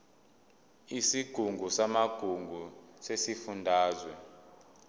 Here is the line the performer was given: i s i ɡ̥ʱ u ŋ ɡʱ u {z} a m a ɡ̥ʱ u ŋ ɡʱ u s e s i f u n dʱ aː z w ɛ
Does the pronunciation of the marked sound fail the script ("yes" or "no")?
yes